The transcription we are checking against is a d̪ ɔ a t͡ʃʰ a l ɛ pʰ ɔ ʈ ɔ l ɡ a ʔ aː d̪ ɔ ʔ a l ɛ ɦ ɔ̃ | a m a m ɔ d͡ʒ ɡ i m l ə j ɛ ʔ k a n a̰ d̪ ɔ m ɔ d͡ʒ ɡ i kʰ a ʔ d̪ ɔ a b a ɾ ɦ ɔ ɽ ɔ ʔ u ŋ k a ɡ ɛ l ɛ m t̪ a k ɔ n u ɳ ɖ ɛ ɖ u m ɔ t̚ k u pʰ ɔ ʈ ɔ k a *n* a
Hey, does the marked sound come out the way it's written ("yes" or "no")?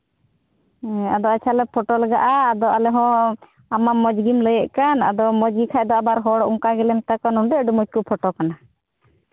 yes